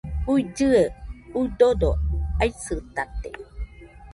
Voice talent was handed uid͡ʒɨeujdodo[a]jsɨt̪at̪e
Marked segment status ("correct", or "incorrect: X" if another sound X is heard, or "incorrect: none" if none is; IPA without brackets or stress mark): correct